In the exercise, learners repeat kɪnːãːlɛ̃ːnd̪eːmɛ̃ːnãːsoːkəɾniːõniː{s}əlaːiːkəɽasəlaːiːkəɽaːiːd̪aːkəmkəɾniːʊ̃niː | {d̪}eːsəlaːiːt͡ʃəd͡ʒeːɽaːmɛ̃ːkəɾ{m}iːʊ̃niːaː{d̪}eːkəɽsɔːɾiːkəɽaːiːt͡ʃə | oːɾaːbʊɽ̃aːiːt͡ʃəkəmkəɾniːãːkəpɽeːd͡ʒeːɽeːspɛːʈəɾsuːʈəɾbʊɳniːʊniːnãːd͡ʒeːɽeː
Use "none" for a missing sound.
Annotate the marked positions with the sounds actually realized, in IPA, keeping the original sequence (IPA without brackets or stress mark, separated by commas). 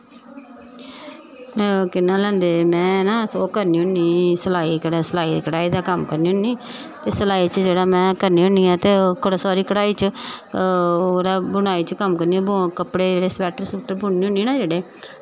s, t̪, n, t̪